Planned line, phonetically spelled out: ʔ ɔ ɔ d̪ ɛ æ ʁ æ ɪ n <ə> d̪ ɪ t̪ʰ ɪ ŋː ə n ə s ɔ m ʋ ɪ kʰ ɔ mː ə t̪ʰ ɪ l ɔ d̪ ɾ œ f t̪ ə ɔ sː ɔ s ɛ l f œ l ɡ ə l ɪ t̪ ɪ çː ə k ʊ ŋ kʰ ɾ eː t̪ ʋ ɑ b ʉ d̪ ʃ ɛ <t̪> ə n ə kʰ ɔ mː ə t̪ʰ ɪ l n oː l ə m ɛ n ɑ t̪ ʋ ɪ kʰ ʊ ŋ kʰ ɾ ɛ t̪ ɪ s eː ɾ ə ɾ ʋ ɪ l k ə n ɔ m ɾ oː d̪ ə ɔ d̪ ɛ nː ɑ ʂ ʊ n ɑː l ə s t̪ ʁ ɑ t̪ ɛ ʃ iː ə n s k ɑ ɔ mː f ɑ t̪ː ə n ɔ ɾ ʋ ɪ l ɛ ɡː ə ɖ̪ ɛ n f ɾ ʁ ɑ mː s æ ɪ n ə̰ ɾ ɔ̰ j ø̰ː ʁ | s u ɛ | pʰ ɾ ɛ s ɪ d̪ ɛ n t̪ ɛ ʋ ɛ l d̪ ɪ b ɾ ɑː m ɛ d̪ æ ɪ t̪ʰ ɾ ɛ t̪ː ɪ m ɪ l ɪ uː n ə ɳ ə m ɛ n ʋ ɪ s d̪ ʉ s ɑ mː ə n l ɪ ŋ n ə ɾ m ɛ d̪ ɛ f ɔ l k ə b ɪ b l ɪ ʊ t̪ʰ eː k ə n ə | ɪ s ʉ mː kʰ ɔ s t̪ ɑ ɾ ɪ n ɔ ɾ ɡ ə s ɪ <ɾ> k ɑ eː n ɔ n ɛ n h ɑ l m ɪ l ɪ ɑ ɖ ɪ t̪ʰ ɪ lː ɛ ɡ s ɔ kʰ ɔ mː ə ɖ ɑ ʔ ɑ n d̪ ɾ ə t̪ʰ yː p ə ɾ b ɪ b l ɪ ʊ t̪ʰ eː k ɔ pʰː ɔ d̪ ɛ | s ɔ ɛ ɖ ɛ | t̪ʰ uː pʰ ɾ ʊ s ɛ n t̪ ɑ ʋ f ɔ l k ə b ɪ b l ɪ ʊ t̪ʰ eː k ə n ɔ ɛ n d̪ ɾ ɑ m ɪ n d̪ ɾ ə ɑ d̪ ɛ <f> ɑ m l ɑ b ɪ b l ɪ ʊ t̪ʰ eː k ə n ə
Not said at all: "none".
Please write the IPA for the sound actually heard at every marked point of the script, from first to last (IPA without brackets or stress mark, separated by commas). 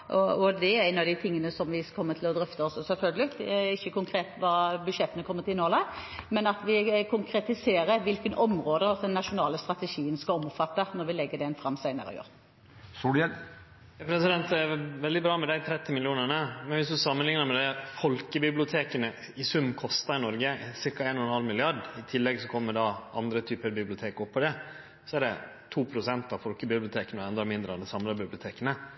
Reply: ɑ, t̪, ɾ, s